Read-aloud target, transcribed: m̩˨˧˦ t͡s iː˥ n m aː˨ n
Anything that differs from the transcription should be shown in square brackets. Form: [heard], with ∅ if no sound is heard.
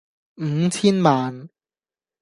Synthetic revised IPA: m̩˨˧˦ [t͡sʰ] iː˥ n m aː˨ n